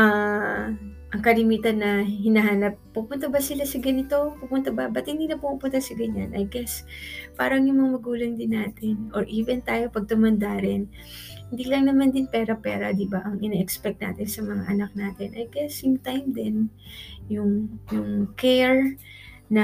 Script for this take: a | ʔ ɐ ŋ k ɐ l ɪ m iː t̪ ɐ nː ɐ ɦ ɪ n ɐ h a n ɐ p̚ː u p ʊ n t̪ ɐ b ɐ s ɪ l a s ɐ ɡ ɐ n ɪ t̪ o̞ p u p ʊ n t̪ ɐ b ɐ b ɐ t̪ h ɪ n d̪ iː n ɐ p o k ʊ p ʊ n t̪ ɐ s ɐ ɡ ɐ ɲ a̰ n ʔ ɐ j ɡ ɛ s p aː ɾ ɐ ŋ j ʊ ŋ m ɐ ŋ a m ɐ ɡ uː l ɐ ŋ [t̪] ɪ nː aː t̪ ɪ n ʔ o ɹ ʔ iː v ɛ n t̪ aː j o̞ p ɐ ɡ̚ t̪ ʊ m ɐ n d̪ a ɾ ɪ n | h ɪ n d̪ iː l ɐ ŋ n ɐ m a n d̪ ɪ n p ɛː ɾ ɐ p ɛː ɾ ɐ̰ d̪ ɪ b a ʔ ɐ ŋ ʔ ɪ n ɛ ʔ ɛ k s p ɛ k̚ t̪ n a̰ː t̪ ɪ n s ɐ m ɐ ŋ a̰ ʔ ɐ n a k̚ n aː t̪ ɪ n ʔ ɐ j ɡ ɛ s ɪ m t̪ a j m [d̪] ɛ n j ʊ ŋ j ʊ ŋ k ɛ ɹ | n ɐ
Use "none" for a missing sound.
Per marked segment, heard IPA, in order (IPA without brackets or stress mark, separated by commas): d̪, d̪